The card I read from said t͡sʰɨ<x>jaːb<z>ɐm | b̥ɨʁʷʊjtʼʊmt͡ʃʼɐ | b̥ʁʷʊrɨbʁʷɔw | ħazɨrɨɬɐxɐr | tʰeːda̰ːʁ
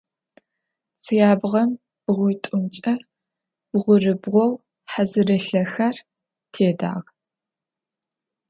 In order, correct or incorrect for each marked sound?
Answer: incorrect: none, incorrect: ʁ

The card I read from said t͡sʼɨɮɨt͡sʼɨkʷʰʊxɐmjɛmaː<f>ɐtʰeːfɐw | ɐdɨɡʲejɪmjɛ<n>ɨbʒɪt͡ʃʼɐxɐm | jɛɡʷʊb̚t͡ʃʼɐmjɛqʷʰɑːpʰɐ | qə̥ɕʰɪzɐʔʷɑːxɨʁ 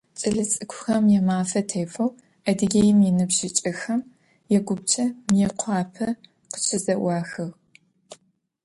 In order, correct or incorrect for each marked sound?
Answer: correct, correct

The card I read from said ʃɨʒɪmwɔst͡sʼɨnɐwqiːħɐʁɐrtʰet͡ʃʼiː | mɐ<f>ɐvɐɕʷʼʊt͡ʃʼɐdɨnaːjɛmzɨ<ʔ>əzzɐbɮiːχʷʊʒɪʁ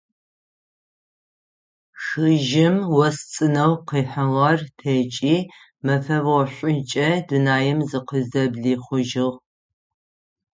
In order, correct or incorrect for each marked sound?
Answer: correct, incorrect: q

